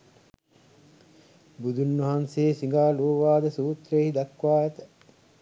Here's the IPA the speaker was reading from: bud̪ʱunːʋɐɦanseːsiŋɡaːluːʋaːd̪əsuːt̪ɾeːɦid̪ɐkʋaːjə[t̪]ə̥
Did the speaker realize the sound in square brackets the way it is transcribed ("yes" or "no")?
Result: yes